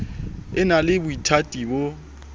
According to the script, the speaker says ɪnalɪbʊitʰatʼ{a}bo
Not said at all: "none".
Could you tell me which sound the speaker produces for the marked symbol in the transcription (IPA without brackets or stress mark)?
i